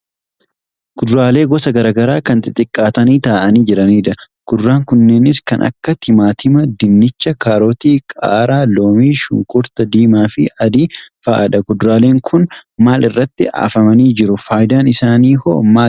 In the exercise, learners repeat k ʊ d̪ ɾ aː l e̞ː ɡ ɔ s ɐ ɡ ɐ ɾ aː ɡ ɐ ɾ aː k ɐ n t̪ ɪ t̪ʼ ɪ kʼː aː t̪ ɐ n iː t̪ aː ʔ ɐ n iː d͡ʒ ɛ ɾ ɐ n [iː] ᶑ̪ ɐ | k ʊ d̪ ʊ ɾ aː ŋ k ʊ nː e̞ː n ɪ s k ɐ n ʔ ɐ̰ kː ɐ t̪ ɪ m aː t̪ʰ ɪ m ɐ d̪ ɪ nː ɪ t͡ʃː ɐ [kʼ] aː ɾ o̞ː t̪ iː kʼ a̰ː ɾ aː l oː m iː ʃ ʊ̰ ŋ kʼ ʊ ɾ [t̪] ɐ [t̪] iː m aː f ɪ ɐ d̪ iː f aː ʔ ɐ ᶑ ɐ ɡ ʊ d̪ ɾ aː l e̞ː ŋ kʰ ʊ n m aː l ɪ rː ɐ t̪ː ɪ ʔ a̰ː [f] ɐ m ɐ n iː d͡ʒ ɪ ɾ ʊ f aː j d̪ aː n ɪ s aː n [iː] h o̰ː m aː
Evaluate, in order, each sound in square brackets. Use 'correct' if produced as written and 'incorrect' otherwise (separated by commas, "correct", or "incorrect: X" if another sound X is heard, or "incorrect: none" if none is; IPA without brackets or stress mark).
correct, incorrect: k, correct, incorrect: d̪, correct, correct